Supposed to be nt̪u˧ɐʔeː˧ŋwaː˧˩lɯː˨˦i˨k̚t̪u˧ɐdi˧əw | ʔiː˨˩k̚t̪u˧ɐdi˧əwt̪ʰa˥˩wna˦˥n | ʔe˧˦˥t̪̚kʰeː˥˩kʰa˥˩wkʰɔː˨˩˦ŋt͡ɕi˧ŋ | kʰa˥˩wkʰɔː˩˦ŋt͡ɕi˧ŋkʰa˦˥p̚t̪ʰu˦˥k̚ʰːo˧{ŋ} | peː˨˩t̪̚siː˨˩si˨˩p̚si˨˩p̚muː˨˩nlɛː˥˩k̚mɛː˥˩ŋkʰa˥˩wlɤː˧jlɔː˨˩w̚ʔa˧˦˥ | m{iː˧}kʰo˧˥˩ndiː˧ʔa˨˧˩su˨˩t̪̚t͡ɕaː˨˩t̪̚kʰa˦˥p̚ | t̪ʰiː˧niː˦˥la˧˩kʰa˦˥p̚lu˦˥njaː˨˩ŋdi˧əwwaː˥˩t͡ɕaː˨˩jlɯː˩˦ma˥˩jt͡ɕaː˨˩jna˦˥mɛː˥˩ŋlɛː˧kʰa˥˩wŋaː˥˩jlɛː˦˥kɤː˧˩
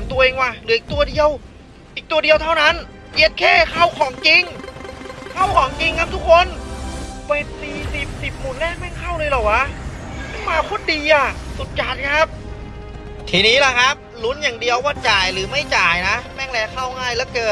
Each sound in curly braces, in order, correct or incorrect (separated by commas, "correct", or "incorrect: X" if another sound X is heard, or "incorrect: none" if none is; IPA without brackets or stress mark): incorrect: n, incorrect: aː˧